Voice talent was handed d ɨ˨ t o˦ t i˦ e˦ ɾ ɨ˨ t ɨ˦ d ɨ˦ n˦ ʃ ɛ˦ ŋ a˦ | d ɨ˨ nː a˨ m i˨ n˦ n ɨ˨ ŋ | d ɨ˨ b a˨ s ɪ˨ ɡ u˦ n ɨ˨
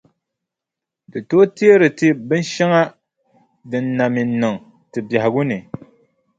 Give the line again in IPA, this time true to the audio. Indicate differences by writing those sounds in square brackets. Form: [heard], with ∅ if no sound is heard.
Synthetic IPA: d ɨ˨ t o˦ t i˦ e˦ ɾ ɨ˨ t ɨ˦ [b] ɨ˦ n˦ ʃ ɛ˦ ŋ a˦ | d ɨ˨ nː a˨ m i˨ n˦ n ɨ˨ ŋ | [t] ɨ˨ b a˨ [h] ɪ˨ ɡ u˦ n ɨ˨